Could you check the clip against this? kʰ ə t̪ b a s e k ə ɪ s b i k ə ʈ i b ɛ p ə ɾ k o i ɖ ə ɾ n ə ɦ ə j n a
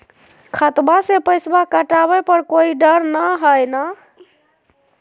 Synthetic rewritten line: kʰ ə t̪ b a s e p ə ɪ s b a k ə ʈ a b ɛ p ə ɾ k o i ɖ ə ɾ n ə ɦ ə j n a